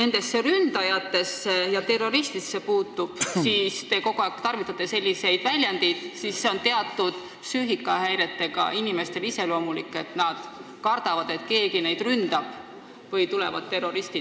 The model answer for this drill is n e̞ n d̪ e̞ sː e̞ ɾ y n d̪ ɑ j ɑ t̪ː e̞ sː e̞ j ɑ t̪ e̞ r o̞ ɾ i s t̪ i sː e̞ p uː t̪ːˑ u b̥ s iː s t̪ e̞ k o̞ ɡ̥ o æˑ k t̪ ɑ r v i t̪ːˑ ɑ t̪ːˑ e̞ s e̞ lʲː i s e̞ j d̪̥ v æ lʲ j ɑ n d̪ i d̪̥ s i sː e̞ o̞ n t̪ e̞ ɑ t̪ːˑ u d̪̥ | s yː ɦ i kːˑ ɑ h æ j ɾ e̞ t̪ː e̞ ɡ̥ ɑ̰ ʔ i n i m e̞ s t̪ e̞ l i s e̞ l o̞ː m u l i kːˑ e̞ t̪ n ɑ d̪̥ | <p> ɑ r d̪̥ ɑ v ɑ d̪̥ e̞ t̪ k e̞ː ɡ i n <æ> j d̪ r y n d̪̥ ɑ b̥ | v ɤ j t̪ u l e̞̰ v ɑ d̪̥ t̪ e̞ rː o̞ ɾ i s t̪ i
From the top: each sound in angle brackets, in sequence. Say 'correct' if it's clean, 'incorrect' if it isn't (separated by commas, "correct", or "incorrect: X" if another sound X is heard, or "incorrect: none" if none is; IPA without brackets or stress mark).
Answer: incorrect: k, incorrect: e